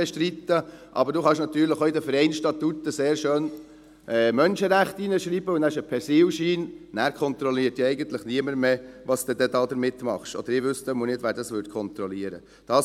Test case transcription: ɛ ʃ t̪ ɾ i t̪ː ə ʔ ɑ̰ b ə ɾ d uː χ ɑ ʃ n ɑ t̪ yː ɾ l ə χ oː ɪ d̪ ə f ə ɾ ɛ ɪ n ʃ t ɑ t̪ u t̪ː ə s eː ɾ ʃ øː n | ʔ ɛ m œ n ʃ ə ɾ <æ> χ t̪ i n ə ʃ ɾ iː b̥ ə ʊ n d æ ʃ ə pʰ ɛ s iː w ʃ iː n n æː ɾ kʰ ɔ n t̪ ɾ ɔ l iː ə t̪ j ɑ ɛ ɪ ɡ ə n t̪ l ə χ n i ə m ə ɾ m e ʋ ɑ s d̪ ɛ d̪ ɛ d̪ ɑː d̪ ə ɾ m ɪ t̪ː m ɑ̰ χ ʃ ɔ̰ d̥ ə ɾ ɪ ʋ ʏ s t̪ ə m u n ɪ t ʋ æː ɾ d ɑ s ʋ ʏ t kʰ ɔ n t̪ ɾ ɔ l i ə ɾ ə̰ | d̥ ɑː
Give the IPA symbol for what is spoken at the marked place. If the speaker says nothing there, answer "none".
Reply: æ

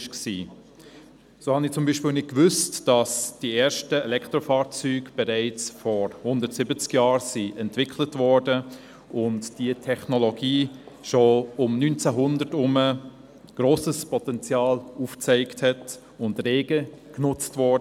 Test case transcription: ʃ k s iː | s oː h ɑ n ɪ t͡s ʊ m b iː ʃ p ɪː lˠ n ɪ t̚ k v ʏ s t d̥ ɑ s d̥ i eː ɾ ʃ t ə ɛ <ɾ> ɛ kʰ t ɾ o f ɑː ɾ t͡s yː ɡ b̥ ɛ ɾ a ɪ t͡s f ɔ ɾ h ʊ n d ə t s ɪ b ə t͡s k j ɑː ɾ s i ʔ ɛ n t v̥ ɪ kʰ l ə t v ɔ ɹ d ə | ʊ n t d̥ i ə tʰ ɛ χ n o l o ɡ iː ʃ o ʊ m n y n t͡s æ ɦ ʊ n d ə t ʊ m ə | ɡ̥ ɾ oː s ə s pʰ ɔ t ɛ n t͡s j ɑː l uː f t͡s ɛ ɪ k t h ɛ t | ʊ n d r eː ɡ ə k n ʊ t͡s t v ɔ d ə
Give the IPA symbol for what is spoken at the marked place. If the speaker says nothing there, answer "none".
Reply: l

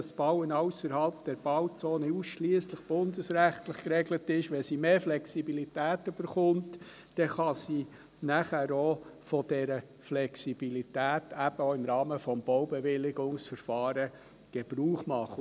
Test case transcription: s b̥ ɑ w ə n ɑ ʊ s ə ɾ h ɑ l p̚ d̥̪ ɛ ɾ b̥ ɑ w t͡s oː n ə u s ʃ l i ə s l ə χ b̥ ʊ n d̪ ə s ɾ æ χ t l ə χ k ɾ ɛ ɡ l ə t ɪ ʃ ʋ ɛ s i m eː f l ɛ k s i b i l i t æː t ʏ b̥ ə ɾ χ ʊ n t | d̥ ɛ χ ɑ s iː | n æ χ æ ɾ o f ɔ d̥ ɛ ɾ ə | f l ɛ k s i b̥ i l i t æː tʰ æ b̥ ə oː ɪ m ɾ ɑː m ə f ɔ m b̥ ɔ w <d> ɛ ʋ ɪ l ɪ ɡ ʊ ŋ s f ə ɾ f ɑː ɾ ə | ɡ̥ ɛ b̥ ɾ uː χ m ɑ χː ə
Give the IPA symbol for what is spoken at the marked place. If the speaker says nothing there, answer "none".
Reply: b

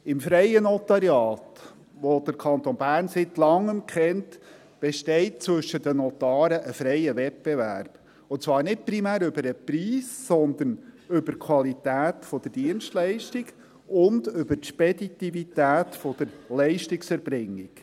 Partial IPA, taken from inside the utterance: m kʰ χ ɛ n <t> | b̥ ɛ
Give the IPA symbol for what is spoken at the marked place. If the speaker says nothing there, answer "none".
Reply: t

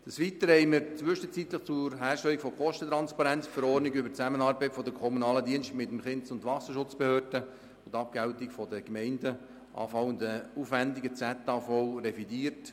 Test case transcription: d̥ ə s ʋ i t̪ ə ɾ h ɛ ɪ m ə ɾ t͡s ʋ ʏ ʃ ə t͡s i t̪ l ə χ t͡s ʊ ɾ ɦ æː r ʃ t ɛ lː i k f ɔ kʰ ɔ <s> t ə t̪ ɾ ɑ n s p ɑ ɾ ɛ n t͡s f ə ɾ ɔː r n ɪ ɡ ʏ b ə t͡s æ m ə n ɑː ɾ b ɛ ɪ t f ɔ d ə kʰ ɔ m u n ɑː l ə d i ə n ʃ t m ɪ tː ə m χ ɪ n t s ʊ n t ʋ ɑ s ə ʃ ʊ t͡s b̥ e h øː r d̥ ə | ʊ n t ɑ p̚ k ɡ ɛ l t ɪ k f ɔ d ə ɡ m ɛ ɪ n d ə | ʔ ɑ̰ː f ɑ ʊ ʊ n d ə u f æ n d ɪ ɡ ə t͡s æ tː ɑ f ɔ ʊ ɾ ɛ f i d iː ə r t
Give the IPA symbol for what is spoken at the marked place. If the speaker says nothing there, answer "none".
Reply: ʃ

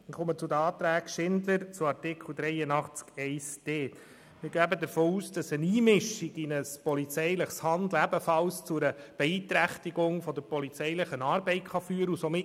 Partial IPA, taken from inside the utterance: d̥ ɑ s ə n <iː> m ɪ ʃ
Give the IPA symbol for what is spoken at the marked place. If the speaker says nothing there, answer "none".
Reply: iː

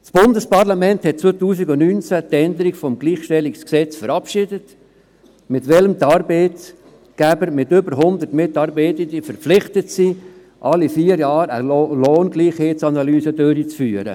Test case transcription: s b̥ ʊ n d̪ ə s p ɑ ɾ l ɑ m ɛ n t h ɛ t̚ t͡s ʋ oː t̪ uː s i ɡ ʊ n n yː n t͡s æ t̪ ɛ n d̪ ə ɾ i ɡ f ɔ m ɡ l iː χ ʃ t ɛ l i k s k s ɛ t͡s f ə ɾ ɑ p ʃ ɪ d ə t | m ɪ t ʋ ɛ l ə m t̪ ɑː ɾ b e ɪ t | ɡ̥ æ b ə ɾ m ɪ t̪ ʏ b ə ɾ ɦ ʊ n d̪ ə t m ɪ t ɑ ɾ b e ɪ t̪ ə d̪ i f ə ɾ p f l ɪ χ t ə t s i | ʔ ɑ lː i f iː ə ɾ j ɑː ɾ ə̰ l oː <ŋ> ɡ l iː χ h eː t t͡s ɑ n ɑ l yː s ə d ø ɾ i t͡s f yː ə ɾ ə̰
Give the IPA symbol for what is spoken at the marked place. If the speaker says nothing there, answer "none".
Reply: n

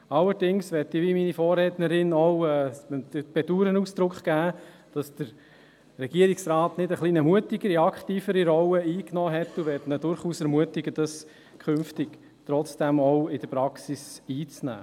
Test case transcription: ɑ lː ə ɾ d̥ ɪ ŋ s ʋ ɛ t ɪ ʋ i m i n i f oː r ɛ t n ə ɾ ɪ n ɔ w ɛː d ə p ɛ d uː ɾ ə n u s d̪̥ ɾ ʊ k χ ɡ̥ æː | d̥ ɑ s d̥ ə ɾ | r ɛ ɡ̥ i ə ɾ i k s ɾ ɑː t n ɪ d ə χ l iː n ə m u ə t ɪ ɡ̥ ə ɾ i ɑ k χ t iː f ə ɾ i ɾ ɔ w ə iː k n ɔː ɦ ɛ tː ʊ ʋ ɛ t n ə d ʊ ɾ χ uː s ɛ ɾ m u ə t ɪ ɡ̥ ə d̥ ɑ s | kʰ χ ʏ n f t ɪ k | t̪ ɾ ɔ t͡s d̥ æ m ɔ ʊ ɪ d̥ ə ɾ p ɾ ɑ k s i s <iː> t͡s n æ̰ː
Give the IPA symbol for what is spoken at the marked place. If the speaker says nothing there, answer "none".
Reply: iː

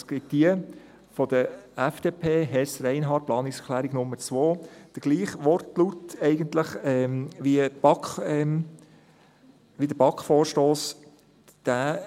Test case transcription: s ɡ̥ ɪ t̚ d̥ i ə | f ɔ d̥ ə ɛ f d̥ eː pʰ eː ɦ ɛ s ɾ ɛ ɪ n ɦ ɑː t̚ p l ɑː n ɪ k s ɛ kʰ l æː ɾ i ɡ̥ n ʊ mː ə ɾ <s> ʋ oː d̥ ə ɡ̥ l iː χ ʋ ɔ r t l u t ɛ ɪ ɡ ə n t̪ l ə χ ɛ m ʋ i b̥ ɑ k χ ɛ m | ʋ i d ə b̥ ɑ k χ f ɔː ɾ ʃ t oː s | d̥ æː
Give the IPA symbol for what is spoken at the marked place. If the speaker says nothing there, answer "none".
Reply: t͡s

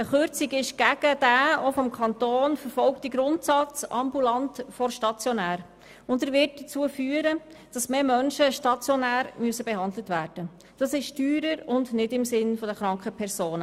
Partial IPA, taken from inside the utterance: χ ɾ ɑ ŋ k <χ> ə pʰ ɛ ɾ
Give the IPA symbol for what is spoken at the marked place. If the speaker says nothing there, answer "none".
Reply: χ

